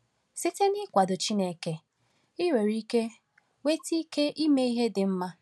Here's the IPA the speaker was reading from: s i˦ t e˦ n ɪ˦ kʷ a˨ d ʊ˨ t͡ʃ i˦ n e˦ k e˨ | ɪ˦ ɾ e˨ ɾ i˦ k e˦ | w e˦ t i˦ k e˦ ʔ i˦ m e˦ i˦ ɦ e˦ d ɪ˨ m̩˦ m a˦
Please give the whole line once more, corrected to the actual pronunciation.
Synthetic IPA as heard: s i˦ t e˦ n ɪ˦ kʷ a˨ d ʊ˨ t͡ʃ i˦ n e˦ k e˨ | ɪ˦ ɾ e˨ ɾ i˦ k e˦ | w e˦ t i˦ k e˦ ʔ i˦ m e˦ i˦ ɦ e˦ d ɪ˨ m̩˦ m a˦